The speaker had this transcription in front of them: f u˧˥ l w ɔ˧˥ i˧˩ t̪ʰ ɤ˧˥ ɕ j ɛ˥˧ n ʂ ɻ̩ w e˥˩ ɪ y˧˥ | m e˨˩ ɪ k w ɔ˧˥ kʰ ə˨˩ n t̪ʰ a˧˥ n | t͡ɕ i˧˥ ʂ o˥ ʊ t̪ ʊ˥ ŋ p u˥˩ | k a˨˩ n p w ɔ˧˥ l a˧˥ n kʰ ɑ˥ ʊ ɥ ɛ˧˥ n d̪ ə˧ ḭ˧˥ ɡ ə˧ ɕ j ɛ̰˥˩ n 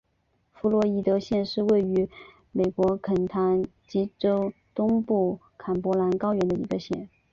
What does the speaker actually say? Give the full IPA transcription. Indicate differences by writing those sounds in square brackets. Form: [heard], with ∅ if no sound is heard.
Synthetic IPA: f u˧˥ l w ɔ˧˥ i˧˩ [t̪] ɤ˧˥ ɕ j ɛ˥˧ n ʂ ɻ̩ w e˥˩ ɪ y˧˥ | m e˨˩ ɪ k w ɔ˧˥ kʰ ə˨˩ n t̪ʰ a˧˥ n | t͡ɕ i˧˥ [ʈ͡ʂ] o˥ ʊ t̪ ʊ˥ ŋ p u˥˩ | [kʰ] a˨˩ n p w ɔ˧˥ l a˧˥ n [k] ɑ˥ ʊ ɥ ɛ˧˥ n d̪ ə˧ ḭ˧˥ ɡ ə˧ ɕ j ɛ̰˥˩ n